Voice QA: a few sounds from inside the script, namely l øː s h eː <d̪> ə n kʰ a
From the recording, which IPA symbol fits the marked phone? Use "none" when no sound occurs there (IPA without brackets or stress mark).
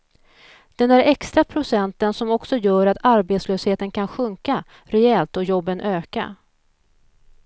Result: t̪